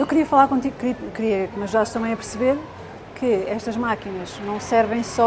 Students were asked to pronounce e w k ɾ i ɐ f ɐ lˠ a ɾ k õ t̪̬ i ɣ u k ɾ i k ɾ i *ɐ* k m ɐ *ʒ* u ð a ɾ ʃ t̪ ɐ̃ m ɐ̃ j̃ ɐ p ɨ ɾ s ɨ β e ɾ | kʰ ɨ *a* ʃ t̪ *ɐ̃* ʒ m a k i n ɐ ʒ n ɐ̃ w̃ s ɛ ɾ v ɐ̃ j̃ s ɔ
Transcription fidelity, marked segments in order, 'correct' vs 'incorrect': correct, correct, incorrect, incorrect

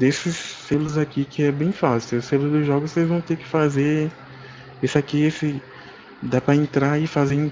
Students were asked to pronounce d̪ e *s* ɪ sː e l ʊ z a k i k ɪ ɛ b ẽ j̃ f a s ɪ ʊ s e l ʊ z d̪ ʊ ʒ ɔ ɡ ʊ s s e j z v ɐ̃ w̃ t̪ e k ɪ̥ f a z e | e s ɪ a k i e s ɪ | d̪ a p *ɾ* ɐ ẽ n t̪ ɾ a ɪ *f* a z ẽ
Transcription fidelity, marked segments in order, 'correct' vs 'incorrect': correct, correct, correct

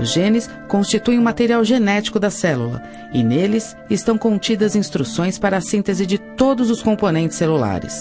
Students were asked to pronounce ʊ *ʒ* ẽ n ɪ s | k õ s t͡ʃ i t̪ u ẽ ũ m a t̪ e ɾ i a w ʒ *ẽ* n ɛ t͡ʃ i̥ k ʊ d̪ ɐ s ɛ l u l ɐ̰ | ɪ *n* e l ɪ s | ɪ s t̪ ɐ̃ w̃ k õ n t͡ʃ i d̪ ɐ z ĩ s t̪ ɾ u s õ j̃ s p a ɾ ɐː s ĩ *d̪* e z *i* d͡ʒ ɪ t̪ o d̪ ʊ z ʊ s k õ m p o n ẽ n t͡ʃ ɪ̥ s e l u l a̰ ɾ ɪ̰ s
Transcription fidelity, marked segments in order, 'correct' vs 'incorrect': correct, incorrect, correct, incorrect, incorrect

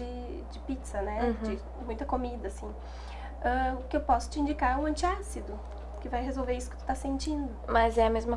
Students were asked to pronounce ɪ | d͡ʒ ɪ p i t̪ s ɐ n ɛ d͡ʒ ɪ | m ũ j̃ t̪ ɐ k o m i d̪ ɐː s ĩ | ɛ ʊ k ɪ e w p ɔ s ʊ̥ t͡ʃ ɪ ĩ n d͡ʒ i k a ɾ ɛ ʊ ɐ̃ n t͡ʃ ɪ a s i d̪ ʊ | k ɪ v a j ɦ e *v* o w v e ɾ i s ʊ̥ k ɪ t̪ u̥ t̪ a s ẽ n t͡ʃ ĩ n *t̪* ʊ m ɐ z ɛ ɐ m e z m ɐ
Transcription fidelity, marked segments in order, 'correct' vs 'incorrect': incorrect, incorrect

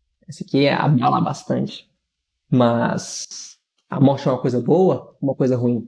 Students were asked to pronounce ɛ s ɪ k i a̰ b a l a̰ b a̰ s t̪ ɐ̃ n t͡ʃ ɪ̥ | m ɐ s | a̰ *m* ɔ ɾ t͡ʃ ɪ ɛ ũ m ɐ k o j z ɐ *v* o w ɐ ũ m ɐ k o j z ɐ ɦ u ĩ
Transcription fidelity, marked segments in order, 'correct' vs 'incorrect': correct, incorrect

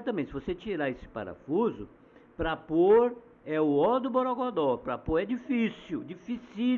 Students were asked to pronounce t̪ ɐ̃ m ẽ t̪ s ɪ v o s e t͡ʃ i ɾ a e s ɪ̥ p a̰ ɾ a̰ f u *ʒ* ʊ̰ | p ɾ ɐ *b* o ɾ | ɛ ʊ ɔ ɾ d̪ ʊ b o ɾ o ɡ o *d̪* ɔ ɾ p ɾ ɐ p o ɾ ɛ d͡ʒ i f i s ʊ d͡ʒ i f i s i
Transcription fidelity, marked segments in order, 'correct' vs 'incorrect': incorrect, incorrect, correct

